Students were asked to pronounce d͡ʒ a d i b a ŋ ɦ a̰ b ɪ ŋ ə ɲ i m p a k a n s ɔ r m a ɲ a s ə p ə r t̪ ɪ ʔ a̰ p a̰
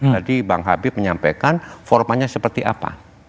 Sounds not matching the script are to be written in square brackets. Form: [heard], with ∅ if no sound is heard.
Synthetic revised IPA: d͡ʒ a d i b a ŋ ɦ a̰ b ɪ [m] ə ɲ [a] m p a k a n [f] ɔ r m a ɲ a s ə p ə r t̪ [i] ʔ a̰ p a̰

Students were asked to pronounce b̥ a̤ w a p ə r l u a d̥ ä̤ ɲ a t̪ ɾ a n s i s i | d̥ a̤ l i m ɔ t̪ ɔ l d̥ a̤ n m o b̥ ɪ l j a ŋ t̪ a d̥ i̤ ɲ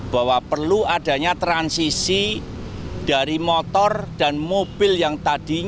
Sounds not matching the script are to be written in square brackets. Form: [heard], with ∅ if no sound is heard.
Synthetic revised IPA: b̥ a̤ w a p ə r l u a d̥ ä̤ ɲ a t̪ ɾ a n s i s i | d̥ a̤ [ɾ] i m ɔ t̪ ɔ [r] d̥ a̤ n m o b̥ ɪ l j a ŋ t̪ a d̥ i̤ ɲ

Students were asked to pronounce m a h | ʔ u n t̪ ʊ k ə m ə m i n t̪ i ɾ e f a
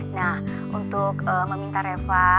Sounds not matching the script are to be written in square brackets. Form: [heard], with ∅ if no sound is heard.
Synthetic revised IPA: [n] a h | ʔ u n t̪ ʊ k ə m ə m i n t̪ [a] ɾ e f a

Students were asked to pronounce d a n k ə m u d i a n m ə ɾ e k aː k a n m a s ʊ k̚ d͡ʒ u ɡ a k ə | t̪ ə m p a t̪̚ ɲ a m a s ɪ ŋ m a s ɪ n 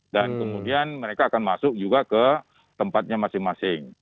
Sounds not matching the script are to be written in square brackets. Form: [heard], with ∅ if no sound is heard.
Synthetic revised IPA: d a n k ə m u d i a n m ə ɾ e k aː k a n m a s ʊ k̚ d͡ʒ u ɡ a k ə | t̪ ə m p a t̪̚ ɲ a m a s ɪ ŋ m a s ɪ [ŋ]

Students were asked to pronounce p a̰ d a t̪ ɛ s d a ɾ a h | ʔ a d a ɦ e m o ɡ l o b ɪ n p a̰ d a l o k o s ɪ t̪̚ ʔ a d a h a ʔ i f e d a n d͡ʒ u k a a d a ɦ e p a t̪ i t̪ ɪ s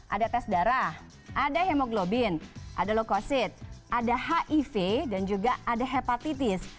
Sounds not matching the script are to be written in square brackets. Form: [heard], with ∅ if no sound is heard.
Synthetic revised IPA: [ʔ] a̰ d a t̪ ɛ s d a ɾ a h | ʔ a d a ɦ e m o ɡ l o b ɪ n [ʔ] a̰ d a l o k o s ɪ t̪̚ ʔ a d a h a ʔ i f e d a n d͡ʒ u [ɡ] a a d a ɦ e p a t̪ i t̪ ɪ s

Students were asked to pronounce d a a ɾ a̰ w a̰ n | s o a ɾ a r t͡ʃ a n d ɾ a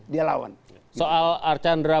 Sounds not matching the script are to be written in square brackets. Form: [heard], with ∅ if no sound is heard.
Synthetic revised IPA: d [i] a [l] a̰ w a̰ n | s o a [l] a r t͡ʃ a n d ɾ a

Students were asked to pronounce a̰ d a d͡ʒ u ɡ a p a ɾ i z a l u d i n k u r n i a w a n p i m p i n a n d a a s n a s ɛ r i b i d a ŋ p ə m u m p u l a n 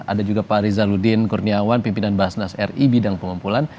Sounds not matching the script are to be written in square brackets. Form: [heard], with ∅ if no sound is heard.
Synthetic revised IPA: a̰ d a d͡ʒ u ɡ a p a ɾ i z a l u d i n k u r n i a w a n p i m p i n a n [b] a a s n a s ɛ r i b i d a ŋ p ə [ŋ] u m p u l a n

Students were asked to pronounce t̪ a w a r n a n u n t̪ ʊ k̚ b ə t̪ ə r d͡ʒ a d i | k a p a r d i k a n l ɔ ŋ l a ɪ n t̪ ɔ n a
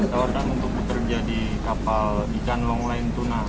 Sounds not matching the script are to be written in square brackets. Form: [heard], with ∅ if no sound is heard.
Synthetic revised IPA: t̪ a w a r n a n u n t̪ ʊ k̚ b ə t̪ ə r d͡ʒ a d i | k a p a [l] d i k a n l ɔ ŋ l a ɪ n t̪ [u] n a

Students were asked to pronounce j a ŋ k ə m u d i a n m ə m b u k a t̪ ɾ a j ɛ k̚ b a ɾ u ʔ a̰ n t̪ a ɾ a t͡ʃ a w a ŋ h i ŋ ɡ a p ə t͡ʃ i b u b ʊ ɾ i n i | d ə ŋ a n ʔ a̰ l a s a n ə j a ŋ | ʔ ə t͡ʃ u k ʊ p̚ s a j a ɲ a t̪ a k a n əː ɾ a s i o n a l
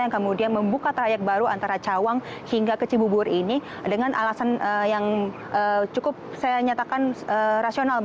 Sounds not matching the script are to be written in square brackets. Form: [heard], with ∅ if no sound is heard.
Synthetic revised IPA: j a ŋ k ə m u d i a n m ə m b u k a t̪ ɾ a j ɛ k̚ b a ɾ u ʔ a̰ n t̪ a ɾ a t͡ʃ a w a ŋ h i ŋ ɡ a [k] ə t͡ʃ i b u b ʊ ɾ i n i | d ə ŋ a n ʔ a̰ l a s a n ə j a ŋ | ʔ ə t͡ʃ u k ʊ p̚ s a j a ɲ a t̪ a k a n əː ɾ a s i o n a l

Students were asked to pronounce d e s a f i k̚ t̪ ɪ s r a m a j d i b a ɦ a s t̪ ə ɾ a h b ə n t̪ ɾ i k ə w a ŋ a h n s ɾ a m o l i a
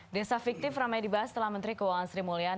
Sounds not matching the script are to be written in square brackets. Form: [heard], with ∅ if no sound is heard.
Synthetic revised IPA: d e s a f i k̚ t̪ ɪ [f] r a m a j d i b a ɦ a s t̪ ə [l] a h [m] ə n t̪ ɾ i k ə w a ŋ a [∅] n s ɾ [i] m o l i a

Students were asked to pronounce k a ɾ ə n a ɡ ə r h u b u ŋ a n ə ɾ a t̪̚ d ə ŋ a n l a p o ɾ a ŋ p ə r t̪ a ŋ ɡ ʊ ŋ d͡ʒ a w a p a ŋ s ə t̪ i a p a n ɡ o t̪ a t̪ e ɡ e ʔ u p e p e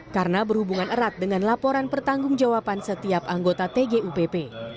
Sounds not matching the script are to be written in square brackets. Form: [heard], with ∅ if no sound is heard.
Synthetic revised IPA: k a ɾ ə n a [b] ə r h u b u ŋ a n ə ɾ a t̪̚ d ə ŋ a n l a p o ɾ a [n] p ə r t̪ a ŋ ɡ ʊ ŋ d͡ʒ a w a p a [n] s ə t̪ i a p a [ŋ] ɡ o t̪ a t̪ e ɡ e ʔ u p e p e

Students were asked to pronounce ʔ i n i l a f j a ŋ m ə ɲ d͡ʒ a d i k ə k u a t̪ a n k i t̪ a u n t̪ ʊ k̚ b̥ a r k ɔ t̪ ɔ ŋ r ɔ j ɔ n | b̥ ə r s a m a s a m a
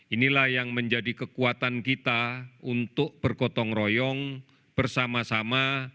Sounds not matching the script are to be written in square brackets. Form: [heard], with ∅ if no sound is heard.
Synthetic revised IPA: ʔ i n i l a [h] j a ŋ m ə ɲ d͡ʒ a d i k ə k u a t̪ a n k i t̪ a u n t̪ ʊ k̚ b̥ [ə] r k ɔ t̪ ɔ ŋ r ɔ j ɔ [ŋ] | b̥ ə r s a m a s a m a

